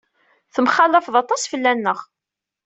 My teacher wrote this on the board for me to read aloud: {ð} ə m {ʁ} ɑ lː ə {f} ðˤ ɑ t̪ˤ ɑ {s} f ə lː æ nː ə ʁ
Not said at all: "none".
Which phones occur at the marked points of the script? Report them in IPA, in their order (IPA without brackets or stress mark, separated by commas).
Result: θ, χ, f, s